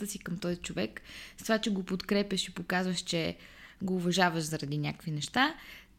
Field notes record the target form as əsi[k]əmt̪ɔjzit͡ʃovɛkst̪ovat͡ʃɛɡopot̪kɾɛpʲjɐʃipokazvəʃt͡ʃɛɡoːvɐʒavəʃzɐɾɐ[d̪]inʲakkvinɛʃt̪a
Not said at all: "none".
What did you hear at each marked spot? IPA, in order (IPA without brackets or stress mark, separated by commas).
k, d̪